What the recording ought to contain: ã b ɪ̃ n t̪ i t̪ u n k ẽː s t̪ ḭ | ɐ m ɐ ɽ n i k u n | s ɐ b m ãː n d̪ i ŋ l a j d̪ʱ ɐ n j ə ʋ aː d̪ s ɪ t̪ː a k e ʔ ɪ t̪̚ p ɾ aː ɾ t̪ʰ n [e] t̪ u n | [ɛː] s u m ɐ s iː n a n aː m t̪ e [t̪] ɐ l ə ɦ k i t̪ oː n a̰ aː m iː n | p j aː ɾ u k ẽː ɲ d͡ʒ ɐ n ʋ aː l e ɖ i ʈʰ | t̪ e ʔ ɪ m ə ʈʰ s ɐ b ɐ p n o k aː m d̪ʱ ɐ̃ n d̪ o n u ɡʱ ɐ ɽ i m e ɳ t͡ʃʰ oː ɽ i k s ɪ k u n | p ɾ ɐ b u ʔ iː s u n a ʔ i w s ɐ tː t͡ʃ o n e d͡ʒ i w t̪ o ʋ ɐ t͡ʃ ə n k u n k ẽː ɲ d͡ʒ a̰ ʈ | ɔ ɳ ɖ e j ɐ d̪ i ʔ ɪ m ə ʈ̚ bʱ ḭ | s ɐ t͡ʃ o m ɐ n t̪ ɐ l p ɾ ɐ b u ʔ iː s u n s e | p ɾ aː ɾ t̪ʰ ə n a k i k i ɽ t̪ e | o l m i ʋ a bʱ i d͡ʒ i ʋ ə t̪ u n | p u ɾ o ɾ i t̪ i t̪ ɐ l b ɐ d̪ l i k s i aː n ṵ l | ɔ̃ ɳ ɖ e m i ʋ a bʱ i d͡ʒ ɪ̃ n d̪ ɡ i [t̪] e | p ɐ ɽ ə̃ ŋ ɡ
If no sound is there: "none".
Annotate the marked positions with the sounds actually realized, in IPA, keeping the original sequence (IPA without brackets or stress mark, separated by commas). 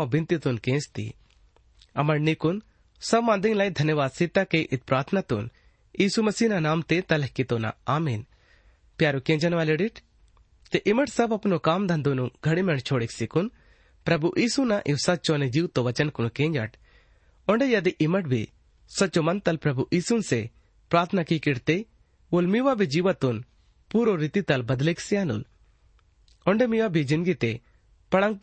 a, iː, t̪, t̪